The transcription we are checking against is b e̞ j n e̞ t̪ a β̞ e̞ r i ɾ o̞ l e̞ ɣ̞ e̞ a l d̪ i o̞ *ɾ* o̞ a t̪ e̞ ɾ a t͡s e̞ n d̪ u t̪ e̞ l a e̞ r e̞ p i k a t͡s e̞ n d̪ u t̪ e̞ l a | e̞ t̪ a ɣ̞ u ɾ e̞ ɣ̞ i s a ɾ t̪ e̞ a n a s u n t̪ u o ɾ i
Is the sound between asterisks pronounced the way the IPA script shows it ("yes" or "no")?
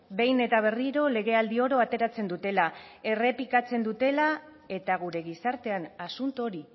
yes